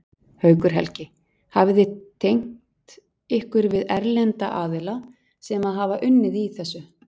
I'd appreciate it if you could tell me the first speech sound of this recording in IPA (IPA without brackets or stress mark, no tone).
h